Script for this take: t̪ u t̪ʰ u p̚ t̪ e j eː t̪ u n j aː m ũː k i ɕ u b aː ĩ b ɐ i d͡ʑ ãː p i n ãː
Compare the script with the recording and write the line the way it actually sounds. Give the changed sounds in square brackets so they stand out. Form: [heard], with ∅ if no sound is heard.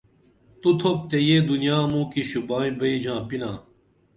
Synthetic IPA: t̪ u t̪ʰ [o] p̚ t̪ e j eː [d̪] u n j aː m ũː k i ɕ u b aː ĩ b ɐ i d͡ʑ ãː p i n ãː